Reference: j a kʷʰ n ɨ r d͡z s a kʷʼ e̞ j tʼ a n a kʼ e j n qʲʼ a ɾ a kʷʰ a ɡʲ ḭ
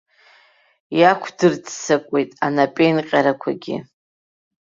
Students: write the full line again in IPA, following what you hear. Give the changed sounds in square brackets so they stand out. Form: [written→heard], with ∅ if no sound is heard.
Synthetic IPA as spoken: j a kʷʰ [n→d] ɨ r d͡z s a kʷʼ e̞ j tʼ a n a [kʼ→pʼ] e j n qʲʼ a ɾ a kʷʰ a ɡʲ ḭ